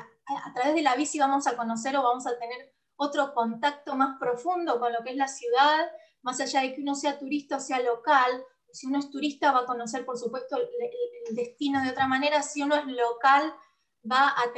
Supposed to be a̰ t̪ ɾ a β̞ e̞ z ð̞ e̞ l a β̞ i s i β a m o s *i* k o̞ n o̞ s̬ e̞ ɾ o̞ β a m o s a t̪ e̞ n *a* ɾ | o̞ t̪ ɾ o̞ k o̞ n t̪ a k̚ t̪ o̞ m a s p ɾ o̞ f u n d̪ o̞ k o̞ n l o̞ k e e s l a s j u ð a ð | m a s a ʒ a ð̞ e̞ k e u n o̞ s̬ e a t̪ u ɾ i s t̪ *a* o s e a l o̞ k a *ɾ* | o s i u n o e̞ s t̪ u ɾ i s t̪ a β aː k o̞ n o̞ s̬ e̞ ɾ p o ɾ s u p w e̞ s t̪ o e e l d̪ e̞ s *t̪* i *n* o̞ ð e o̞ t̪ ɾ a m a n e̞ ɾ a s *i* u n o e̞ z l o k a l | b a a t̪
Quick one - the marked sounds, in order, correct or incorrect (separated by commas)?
incorrect, incorrect, correct, incorrect, correct, correct, correct